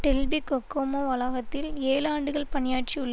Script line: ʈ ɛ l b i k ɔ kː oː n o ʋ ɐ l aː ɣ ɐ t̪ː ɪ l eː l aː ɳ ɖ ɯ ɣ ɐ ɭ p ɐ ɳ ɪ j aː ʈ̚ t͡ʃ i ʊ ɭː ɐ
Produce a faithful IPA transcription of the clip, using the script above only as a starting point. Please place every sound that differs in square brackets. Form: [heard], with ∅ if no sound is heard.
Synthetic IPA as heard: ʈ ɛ l b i k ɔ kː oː [m] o ʋ ɐ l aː ɣ ɐ t̪ː ɪ l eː l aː ɳ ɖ ɯ ɣ ɐ ɭ p ɐ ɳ ɪ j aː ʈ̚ t͡ʃ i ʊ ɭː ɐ